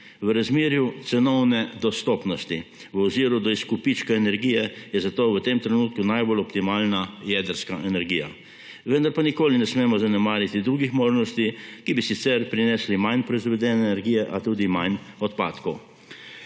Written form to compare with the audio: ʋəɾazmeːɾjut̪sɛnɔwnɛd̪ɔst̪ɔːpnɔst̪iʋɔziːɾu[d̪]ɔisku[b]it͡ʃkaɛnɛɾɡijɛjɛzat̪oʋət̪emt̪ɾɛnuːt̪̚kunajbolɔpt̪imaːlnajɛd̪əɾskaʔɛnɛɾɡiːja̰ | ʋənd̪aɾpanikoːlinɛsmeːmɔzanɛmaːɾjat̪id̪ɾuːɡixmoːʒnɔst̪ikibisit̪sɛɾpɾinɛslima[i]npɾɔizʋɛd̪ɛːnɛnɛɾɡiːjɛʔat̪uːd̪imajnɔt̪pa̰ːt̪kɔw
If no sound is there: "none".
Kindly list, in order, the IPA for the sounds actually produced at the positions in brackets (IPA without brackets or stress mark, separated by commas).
d̪, p, j